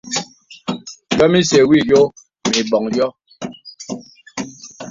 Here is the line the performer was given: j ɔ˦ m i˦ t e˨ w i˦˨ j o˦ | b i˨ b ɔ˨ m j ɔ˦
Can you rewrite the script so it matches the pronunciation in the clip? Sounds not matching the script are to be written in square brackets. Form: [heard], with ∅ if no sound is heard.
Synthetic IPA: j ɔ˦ m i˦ [s] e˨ w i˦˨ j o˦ | [m] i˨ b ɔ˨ [ŋ] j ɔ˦